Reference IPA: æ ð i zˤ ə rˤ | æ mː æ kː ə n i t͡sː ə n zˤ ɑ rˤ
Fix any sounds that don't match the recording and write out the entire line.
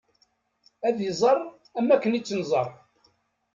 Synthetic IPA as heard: æ ð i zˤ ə rˤ | æ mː æ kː ə n i t͡sː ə n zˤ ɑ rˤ